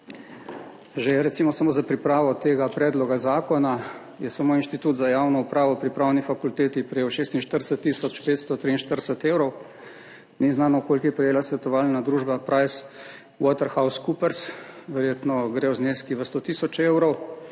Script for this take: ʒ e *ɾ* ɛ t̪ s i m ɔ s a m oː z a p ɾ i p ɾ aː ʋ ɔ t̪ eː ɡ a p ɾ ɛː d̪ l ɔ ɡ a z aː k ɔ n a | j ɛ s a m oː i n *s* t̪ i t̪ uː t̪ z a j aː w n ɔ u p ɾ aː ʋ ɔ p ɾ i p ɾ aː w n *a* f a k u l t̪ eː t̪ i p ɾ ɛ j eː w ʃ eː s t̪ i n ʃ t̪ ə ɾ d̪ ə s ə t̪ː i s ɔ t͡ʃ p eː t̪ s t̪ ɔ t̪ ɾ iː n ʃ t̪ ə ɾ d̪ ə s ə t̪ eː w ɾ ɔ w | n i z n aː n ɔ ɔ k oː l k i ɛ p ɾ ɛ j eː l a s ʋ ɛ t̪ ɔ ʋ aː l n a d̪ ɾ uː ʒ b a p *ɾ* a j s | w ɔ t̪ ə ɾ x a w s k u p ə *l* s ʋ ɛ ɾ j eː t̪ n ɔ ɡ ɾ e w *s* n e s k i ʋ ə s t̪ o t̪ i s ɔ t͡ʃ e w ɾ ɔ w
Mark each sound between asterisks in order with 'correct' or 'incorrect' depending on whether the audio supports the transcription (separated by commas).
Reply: correct, incorrect, incorrect, correct, incorrect, incorrect